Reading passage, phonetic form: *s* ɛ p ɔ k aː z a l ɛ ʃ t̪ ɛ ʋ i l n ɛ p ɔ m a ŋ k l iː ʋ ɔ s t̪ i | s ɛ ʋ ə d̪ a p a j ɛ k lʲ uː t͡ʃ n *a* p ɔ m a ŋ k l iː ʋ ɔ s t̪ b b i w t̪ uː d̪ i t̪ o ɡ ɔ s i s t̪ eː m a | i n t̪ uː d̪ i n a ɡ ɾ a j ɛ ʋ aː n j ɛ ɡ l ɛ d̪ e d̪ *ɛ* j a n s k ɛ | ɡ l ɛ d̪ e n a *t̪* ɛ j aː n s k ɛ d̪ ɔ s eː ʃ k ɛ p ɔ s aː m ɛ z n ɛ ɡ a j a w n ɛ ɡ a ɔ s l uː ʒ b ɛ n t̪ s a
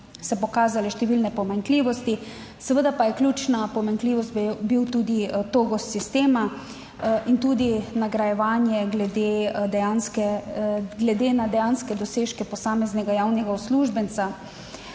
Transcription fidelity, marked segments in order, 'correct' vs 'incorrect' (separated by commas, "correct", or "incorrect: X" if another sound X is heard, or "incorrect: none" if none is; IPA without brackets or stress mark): correct, correct, correct, incorrect: d̪